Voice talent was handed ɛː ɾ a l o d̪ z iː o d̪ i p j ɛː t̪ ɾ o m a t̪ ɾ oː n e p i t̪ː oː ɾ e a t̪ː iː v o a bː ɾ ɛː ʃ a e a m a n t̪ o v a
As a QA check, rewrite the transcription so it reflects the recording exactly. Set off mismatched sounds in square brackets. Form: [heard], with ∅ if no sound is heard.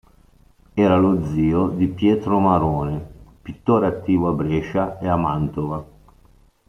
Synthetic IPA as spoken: ɛː ɾ a l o d̪ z iː o d̪ i p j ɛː t̪ ɾ o m a [∅] ɾ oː n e p i t̪ː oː ɾ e a t̪ː iː v o a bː ɾ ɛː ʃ a e a m a n t̪ o v a